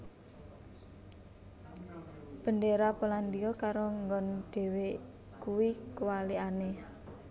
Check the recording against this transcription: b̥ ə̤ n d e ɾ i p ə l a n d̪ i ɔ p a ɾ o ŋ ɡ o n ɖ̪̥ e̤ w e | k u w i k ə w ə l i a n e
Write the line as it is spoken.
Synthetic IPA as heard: b̥ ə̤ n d e ɾ a p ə l a n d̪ i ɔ k a ɾ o ŋ ɡ ɔ n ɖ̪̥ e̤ w e | k u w i k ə w a l i a n e